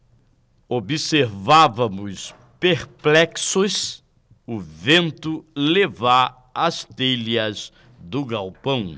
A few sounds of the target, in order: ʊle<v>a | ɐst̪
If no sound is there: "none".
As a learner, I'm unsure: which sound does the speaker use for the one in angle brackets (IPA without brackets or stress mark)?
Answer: v